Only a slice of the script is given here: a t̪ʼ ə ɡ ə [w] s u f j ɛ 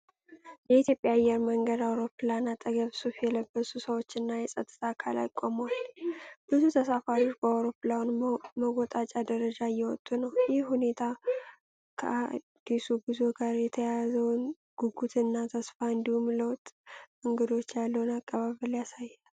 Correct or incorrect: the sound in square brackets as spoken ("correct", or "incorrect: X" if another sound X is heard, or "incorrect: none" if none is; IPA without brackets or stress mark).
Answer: incorrect: β